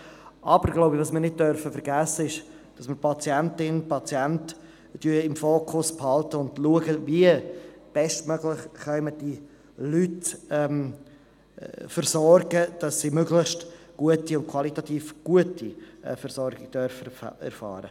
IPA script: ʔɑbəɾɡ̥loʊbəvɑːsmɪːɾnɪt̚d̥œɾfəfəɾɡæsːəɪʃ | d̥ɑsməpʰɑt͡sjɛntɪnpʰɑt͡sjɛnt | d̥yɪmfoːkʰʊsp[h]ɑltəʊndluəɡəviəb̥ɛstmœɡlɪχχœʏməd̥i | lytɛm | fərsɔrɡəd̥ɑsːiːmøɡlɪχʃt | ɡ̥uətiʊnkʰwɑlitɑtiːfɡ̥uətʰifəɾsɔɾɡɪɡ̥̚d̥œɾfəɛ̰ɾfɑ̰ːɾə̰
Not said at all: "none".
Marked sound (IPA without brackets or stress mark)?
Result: h